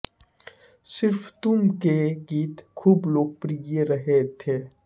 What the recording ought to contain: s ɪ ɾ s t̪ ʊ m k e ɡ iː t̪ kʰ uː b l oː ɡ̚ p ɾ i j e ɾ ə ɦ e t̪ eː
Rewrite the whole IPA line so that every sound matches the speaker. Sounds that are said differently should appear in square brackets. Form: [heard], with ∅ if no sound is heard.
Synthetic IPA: s ɪ ɾ [f] t̪ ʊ m k e ɡ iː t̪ kʰ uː b l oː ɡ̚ p ɾ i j e ɾ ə ɦ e [t̪ʰ] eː